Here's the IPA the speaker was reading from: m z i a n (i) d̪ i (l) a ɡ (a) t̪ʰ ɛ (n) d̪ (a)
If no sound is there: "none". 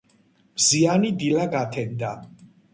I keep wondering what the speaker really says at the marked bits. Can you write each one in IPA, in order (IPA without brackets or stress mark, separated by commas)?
i, l, a, n, a